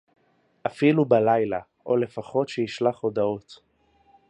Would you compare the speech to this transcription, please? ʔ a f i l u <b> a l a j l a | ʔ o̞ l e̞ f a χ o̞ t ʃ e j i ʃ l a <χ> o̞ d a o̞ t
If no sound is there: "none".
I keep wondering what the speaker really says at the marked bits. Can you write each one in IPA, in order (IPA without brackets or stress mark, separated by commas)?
b, χ